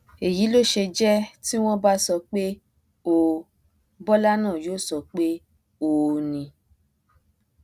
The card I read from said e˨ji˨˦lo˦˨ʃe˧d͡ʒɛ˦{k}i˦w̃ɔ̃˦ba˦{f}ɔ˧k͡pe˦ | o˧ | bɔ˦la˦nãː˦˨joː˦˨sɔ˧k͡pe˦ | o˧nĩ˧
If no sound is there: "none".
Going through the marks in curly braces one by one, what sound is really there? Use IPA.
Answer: t, s

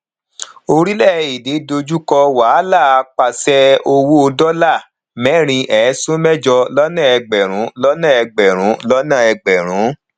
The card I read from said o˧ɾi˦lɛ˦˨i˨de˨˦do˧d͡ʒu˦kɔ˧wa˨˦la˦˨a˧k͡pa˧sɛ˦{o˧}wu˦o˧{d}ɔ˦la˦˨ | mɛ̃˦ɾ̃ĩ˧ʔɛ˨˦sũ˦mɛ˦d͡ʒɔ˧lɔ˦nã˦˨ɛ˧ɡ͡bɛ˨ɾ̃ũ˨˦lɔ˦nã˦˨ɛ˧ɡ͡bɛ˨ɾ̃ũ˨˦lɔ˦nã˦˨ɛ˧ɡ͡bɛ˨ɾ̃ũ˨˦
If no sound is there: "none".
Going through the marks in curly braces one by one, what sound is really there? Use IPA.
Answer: o˧, d

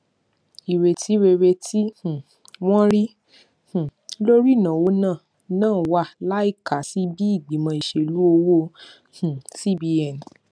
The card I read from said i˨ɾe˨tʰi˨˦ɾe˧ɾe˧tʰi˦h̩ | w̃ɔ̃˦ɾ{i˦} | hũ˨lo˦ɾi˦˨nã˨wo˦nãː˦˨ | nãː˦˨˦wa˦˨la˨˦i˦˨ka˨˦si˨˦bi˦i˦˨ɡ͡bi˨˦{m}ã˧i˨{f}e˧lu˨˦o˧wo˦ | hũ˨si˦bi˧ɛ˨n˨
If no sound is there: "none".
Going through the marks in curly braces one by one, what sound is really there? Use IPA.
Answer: i˦, m, ʃ

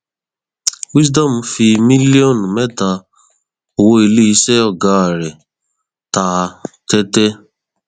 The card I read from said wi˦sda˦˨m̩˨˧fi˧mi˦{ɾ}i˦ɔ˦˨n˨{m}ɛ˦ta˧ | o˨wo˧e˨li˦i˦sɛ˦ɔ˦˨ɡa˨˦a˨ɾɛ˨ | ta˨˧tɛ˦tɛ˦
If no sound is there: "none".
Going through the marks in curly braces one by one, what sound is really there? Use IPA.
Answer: l, m

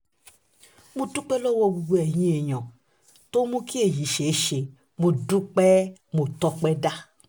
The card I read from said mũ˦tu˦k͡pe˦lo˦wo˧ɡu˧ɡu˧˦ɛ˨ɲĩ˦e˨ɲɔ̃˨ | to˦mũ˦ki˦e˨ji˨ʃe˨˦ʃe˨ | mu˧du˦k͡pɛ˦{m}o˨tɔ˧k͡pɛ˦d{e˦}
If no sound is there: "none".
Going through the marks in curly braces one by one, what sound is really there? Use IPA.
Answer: m, a˦

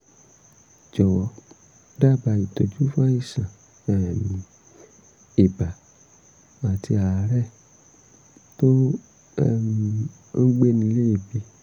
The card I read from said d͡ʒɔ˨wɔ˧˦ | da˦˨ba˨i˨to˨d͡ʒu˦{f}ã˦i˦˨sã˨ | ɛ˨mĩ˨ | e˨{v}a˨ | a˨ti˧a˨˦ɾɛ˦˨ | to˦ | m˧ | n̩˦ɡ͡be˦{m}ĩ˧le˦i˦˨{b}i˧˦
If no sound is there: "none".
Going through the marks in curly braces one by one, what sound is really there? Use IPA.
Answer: f, b, n, b

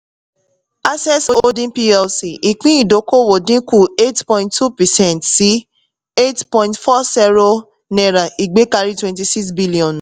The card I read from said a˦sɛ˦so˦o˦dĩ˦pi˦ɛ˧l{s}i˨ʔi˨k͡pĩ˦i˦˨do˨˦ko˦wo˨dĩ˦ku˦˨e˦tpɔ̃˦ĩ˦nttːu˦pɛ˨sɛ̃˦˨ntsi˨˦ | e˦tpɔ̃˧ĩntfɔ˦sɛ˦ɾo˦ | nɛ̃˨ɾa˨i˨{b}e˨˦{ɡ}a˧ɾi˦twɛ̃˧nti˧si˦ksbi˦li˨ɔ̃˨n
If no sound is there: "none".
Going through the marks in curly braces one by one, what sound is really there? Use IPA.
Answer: s, ɡ͡b, k

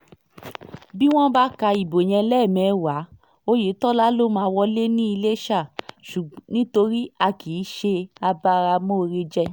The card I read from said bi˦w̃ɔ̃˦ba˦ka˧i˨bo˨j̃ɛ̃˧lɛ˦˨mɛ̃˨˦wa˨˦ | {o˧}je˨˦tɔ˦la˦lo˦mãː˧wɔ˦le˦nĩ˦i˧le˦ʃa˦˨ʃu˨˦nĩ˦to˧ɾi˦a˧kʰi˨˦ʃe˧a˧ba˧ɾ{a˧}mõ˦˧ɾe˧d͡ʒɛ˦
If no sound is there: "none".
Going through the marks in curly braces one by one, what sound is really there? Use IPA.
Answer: o˧, a˧

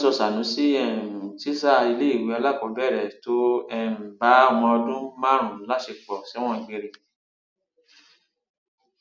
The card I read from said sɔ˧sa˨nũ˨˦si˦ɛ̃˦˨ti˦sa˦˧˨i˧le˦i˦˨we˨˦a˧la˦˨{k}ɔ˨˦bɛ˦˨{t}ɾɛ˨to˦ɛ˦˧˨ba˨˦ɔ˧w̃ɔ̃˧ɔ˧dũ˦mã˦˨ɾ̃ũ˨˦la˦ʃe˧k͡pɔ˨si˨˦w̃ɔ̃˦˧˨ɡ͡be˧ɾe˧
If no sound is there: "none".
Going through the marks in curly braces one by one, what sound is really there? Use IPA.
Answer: k, none

